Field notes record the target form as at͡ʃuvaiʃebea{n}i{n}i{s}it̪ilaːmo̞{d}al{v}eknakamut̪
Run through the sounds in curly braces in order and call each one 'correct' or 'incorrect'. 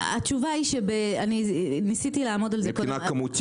correct, correct, correct, correct, incorrect: z

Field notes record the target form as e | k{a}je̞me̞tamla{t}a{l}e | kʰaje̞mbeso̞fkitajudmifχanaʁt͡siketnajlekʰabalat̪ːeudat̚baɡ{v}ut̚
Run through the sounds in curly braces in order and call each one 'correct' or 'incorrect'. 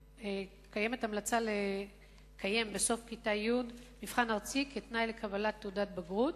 correct, incorrect: t͡s, correct, incorrect: ʁ

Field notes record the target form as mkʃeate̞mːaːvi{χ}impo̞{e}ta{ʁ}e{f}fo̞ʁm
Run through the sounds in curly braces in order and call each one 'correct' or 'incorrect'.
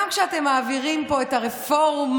incorrect: ʁ, correct, correct, correct

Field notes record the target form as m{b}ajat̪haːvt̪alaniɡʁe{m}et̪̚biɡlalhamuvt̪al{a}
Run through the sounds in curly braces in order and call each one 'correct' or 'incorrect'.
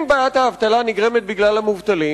correct, correct, incorrect: i

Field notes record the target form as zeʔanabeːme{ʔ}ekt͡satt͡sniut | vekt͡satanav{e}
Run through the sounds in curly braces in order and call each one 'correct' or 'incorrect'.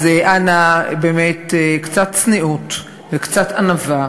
incorrect: t, incorrect: a

